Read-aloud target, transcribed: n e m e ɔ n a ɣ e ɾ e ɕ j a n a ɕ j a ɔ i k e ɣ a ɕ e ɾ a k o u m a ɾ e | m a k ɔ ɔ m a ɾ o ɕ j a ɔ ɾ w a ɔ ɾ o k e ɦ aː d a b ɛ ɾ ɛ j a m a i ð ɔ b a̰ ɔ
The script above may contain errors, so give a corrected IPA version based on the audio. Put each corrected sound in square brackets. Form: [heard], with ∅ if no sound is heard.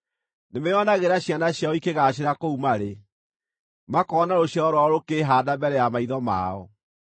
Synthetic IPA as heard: n e m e ɔ n a ɣ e ɾ [a] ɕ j a n a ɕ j a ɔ i k e ɣ a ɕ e ɾ a k o u m a ɾ e | m a k ɔ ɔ [n] a ɾ o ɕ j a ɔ ɾ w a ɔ ɾ o k e ɦ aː d a b ɛ ɾ ɛ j a m a i ð ɔ [m] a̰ ɔ

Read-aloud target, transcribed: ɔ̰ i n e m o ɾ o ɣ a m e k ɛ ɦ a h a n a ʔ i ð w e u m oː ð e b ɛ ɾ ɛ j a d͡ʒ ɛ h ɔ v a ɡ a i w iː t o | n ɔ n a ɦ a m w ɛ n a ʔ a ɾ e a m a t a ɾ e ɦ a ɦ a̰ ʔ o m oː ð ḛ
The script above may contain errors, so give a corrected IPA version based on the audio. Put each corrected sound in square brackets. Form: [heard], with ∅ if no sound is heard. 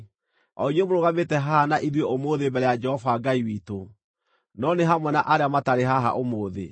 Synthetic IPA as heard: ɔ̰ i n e m o ɾ o ɣ a m e [t] ɛ ɦ a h a n a ʔ i ð w e [o] m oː ð e b ɛ ɾ ɛ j a d͡ʒ ɛ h ɔ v a ɡ a i w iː t o | n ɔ n [e] ɦ a m w ɛ n a ʔ a ɾ e a m a t a ɾ e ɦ a ɦ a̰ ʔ o m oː ð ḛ

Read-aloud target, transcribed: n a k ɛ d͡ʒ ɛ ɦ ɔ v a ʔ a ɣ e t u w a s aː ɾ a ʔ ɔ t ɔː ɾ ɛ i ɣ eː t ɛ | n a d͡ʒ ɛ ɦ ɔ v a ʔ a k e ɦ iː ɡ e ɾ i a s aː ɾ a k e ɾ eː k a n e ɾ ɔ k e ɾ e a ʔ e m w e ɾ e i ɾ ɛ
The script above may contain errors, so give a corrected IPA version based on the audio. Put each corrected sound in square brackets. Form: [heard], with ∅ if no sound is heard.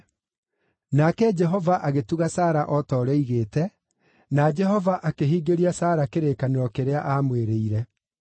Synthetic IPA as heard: n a k ɛ d͡ʒ ɛ ɦ ɔ v a ʔ a ɣ e t u [ɣ] a s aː ɾ a ʔ ɔ t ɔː ɾ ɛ i ɣ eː t ɛ | n a d͡ʒ ɛ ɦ ɔ v a ʔ a k e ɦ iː ɡ e ɾ i a s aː ɾ a k e ɾ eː k a n e ɾ ɔ k e ɾ e a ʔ [a] m w e ɾ e i ɾ ɛ

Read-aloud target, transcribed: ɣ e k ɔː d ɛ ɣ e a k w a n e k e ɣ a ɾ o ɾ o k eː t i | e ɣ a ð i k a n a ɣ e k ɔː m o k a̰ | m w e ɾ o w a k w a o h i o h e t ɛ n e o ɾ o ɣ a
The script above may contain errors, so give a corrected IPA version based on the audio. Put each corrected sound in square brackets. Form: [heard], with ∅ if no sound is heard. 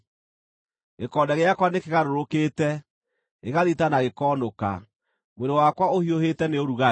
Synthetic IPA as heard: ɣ e k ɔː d ɛ ɣ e a k w a n e k e ɣ a ɾ o ɾ o k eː t [ɛ] | e ɣ a ð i [t] a n a ɣ e k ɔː [n] o k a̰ | m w e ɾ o w a k w a o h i o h e t ɛ n e o ɾ [u] ɣ a

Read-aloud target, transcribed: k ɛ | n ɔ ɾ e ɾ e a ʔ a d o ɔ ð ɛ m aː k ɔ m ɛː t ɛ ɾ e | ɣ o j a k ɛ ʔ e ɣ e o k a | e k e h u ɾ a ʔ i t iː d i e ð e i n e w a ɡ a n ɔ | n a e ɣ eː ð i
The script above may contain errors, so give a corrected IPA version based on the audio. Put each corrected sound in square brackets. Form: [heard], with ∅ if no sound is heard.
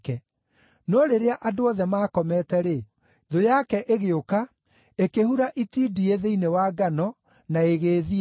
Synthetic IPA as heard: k ɛ | n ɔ ɾ e ɾ e a ʔ a d o ɔ ð ɛ m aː k ɔ m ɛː t ɛ ɾ e | [ð] o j a k ɛ ʔ e ɣ e o k a | e k e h u ɾ a ʔ i t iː d i e ð e i n e w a ɡ a n ɔ | n a e ɣ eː ð i

